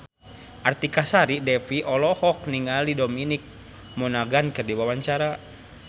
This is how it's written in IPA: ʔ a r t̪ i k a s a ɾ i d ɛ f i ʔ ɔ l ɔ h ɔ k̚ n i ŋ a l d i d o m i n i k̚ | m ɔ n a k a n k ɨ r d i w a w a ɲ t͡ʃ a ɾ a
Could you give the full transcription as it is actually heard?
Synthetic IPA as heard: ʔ a r t̪ i k a s a ɾ i d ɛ f i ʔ ɔ l ɔ h ɔ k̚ n i ŋ a l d i d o m i n i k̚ | m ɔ n a ɡ a n k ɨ r d i w a w a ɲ t͡ʃ a ɾ a